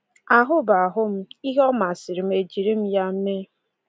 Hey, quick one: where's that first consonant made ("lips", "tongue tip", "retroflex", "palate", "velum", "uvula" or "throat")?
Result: throat